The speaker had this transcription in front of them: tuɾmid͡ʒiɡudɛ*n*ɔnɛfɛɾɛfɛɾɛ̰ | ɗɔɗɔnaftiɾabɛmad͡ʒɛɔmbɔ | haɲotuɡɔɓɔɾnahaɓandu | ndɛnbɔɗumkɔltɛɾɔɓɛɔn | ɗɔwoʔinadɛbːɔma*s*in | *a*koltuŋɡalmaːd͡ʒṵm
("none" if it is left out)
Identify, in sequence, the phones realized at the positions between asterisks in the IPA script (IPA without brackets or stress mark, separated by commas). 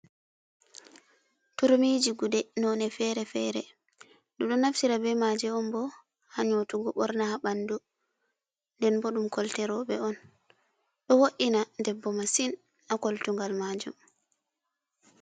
n, s, a